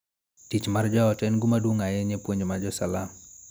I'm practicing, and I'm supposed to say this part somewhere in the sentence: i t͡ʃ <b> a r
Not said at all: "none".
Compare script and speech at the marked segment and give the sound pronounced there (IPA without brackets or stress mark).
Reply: m